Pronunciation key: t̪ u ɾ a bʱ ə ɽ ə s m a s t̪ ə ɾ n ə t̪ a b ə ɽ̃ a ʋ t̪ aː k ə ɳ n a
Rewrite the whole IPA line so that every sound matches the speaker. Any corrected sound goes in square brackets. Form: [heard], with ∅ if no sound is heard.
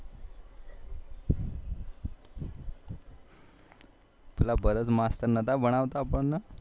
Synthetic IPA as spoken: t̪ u [l] a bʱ ə [ɾ] ə [t͡s] m a s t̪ ə ɾ n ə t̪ a b ə ɽ̃ a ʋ t̪ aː [p] ə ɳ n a